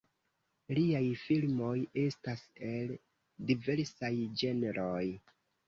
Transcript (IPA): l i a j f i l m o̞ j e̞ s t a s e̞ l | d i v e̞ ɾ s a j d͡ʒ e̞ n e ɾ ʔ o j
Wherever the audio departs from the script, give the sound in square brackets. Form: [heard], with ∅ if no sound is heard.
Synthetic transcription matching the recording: l i a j f i l m o̞ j e̞ s t a s e̞ l | d i v e̞ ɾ s a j d͡ʒ e̞ n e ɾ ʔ o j